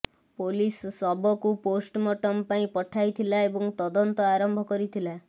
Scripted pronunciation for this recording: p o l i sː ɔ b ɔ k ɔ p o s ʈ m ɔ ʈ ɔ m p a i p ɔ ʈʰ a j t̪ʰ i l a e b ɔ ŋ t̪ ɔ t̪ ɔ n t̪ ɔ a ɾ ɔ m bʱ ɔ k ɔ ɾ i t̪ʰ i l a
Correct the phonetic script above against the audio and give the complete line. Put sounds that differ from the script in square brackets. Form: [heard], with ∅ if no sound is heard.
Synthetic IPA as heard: p o l i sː ɔ b ɔ k [u] p o s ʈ m ɔ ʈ ɔ m p a [ĩ] p ɔ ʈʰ a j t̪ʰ i l a e b ɔ ŋ t̪ ɔ [d̪] ɔ n t̪ ɔ a ɾ ɔ m bʱ ɔ k ɔ ɾ i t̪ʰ i l a

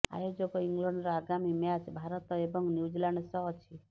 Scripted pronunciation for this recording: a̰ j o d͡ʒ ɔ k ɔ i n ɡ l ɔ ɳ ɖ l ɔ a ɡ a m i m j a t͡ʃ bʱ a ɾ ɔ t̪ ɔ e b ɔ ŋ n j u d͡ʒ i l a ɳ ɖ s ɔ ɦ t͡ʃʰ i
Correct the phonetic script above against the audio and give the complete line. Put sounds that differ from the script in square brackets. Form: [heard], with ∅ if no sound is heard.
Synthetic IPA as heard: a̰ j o d͡ʒ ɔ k ɔ i [ŋ] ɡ l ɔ ɳ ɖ [ɾ] ɔ a ɡ a m i m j a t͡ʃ bʱ a ɾ ɔ t̪ ɔ e b ɔ ŋ n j u d͡ʒ i l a ɳ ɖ s ɔ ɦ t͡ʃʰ i

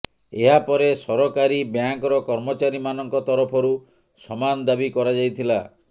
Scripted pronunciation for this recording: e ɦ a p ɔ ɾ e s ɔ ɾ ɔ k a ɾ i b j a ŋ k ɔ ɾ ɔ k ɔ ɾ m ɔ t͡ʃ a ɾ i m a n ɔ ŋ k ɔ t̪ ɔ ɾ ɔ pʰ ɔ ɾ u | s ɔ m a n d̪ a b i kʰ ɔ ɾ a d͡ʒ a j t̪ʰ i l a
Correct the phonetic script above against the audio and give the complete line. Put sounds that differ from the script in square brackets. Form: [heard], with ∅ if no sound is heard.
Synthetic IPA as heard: e ɦ a p ɔ ɾ e s ɔ ɾ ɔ k a ɾ i b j a ŋ k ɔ ɾ ɔ k ɔ ɾ m ɔ t͡ʃ a ɾ i m a n ɔ ŋ k ɔ t̪ ɔ ɾ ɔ pʰ ɔ ɾ u | s ɔ m a n d̪ a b i [k] ɔ ɾ a d͡ʒ a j t̪ʰ i l a

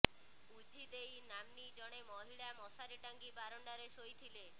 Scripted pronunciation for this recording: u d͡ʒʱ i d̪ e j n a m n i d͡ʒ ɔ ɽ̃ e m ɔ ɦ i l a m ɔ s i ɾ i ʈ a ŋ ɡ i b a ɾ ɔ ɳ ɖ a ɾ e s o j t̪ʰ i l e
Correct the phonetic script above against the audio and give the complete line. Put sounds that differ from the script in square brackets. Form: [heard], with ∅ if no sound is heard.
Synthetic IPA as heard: u d͡ʒʱ i d̪ e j n a m n i d͡ʒ ɔ ɽ̃ e m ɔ ɦ i [ɭ] a m ɔ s [a] ɾ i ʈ a ŋ ɡ i b a ɾ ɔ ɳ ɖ a ɾ e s o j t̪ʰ i l e

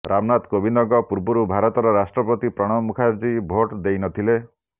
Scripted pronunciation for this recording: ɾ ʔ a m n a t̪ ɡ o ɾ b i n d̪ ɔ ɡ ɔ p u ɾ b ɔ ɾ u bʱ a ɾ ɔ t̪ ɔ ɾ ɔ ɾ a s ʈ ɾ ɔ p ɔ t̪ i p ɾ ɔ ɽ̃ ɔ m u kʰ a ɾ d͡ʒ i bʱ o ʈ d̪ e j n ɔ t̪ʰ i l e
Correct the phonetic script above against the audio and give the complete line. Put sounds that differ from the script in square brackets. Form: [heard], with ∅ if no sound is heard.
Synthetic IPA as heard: ɾ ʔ a m n a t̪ [k] o [∅] b i n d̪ ɔ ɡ ɔ p u ɾ b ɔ ɾ u bʱ a ɾ ɔ t̪ ɔ ɾ ɔ ɾ a s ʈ ɾ ɔ p ɔ t̪ i p ɾ ɔ ɽ̃ ɔ m u kʰ a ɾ d͡ʒ i bʱ o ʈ d̪ e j n ɔ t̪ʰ i l e

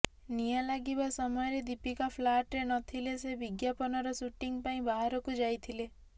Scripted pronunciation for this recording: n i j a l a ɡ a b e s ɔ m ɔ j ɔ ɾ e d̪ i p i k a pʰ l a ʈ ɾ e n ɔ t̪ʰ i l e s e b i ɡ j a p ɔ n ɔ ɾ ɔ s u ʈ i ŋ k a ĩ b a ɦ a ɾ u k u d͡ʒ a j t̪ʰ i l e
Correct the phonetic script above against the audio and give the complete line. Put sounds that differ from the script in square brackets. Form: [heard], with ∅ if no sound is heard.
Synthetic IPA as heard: n i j a l a ɡ [i] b [a] s ɔ m ɔ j ɔ ɾ e d̪ i p i k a pʰ l a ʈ ɾ e n ɔ t̪ʰ i l e s e b i ɡ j a p ɔ n ɔ ɾ ɔ s u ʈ i ŋ [p] a ĩ b a ɦ a ɾ [ɔ] k u d͡ʒ a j t̪ʰ i l e

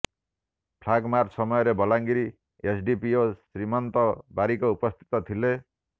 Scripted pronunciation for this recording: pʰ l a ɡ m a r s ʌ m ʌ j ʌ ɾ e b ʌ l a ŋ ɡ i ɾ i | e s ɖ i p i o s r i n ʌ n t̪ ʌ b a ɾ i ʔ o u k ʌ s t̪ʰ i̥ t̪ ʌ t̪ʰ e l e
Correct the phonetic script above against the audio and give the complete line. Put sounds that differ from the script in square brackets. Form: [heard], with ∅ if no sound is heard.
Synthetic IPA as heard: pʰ l a ɡ m a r s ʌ m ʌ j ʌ ɾ e b ʌ l a ŋ ɡ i ɾ i | e s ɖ i p i o s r i [m] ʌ n t̪ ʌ b a ɾ i [k] o u [p] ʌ s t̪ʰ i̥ t̪ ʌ t̪ʰ [i] l e

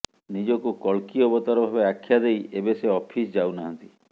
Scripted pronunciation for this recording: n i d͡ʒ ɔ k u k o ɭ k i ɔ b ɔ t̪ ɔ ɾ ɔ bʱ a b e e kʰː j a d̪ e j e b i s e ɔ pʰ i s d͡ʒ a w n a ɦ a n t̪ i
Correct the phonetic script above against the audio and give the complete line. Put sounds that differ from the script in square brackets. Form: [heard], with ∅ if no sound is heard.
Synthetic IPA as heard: n i d͡ʒ ɔ k u k [ɔ] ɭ k i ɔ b ɔ t̪ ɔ ɾ ɔ bʱ a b e [a] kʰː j a d̪ e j e b [e] s e ɔ pʰ i s d͡ʒ a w n a ɦ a n t̪ i

